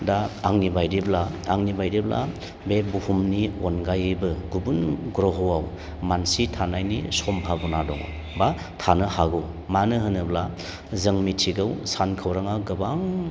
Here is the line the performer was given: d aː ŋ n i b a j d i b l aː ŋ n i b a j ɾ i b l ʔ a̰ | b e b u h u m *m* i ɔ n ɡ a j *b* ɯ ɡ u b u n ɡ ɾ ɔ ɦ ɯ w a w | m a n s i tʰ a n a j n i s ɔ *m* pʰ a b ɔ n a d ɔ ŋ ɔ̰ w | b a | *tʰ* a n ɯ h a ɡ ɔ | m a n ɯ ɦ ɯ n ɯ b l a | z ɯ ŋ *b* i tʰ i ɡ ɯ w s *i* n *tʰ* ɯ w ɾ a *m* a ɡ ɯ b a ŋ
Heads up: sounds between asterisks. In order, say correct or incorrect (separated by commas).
incorrect, correct, correct, correct, incorrect, incorrect, incorrect, incorrect